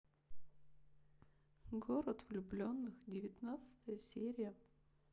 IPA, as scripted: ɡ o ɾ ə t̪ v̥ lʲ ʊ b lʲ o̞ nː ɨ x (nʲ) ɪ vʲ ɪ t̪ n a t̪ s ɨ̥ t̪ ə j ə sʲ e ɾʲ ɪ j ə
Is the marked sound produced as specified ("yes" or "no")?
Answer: no